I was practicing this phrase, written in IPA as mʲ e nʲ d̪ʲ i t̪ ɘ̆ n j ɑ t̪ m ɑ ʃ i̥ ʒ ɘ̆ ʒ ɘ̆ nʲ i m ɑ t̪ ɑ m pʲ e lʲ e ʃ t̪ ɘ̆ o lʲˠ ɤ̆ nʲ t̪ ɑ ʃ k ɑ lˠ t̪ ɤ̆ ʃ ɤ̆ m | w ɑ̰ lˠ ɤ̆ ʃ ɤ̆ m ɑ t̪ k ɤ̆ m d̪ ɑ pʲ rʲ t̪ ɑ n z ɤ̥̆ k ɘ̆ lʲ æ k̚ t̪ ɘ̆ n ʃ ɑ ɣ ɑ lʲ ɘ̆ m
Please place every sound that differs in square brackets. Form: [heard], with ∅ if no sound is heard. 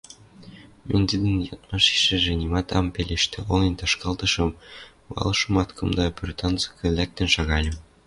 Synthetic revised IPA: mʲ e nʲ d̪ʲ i [d̪] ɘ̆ n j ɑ t̪ m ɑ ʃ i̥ [ʃ] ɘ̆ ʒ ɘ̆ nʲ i m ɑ t̪ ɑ m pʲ e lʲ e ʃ t̪ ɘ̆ o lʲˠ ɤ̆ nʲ t̪ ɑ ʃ k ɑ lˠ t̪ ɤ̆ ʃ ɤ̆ m | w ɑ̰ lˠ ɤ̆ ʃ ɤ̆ m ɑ t̪ k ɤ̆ m d̪ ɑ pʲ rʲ t̪ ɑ n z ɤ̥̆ k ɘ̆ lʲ æ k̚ t̪ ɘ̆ n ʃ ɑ ɣ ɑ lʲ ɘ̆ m